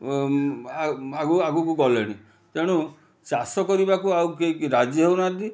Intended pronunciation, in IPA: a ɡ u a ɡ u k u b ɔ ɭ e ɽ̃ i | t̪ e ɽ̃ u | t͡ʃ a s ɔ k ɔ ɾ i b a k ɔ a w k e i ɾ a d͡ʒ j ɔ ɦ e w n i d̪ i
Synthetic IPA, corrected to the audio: a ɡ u a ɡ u k u ɡ ɔ l e ɽ̃ i | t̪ e ɽ̃ u | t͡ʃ a s ɔ k ɔ ɾ i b a k u a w k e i ɾ a d͡ʒ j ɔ ɦ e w n a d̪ i